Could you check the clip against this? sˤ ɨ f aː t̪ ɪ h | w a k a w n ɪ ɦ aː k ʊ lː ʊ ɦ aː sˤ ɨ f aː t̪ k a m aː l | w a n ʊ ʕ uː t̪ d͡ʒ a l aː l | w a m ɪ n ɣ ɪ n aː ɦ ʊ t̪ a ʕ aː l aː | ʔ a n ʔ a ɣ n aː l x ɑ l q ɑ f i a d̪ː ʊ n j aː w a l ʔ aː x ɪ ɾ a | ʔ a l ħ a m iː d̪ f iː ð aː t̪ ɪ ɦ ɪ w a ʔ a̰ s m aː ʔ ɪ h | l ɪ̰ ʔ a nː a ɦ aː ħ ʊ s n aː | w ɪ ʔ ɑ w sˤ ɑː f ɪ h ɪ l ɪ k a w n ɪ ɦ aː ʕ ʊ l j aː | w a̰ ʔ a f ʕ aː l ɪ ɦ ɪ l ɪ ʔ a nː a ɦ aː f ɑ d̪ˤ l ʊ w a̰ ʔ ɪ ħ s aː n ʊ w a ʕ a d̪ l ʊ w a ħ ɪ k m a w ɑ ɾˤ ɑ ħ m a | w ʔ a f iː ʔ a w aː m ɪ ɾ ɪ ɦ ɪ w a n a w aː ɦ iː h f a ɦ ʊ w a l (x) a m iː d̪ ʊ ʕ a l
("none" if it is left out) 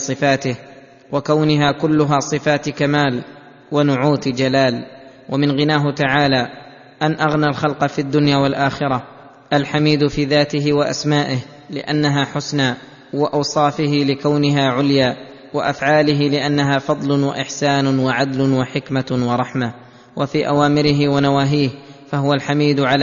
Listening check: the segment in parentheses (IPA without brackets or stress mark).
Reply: ħ